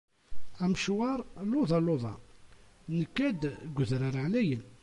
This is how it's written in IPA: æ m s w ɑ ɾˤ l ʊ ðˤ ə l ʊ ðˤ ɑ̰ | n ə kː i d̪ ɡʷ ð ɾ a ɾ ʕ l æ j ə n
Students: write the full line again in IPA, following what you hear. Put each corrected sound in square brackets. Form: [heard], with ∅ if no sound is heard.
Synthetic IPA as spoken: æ m [ʃ] w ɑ ɾˤ l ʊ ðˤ [ɑ] l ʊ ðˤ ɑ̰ | n ə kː [æ] d̪ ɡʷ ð ɾ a ɾ ʕ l æ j ə n